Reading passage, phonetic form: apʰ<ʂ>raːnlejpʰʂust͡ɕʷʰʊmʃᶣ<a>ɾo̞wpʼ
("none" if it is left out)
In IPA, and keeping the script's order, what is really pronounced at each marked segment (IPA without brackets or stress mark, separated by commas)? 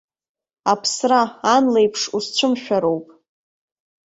s, a